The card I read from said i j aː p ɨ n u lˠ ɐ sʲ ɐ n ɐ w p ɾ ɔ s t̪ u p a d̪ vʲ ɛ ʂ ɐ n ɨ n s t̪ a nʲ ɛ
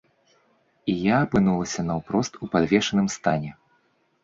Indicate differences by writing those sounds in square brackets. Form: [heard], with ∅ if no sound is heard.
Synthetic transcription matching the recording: i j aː p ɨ n u lˠ ɐ sʲ ɐ n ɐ w p ɾ ɔ s t̪ u p a d̪ vʲ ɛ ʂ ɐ n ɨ [m] s t̪ a nʲ ɛ